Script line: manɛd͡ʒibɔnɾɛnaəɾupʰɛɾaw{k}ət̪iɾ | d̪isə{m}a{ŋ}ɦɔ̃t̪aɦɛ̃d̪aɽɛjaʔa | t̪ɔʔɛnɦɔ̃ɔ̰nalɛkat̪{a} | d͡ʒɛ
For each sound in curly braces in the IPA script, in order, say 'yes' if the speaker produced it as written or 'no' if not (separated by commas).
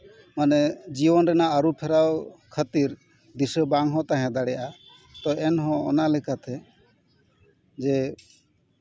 no, no, yes, no